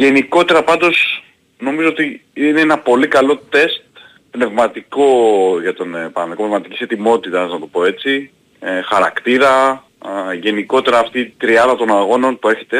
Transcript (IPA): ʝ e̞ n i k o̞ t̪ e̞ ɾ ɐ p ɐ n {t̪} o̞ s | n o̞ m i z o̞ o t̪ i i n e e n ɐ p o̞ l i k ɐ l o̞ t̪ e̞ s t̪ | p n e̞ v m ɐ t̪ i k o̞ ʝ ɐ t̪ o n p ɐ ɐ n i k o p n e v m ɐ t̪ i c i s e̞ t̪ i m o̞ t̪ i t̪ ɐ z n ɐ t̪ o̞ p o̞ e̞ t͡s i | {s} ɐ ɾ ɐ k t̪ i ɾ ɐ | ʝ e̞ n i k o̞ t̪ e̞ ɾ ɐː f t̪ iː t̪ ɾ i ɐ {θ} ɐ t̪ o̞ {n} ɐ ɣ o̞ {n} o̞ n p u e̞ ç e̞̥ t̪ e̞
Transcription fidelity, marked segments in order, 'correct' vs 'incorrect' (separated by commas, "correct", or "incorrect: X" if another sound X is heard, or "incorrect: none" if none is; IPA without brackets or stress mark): incorrect: d̪, incorrect: x, incorrect: ð, correct, correct